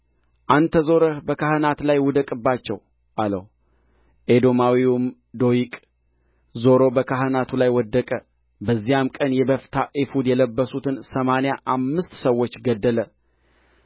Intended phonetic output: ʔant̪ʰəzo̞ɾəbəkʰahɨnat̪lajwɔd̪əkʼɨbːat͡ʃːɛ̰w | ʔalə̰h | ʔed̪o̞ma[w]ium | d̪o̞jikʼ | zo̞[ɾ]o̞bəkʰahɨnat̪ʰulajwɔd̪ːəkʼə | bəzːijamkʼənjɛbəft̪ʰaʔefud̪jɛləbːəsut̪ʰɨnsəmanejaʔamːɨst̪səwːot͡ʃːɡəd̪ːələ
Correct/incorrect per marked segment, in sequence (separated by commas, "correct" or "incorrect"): correct, correct